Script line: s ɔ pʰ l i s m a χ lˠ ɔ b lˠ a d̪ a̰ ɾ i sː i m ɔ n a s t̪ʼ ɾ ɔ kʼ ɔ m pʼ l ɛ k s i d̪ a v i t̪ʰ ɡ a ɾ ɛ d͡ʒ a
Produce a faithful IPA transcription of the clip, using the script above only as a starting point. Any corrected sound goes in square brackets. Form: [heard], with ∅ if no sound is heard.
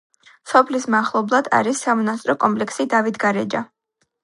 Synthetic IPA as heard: s ɔ pʰ l i s m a χ lˠ ɔ b lˠ a d̪ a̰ ɾ i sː [a] m ɔ n a s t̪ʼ ɾ ɔ kʼ ɔ m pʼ l ɛ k s i d̪ a v i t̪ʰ ɡ a ɾ ɛ d͡ʒ a